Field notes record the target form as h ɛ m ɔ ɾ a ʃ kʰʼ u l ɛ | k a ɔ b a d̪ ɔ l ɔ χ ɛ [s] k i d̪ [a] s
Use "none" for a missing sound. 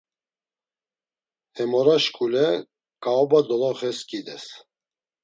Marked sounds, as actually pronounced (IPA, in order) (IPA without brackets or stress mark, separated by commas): s, ɛ